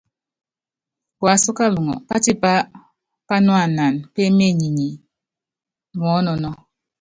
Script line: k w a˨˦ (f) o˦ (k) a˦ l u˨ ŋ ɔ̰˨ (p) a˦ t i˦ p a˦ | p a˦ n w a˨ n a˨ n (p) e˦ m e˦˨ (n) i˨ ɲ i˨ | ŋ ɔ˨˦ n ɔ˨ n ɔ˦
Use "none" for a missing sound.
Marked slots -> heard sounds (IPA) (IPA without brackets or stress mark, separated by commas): s, k, p, p, ɲ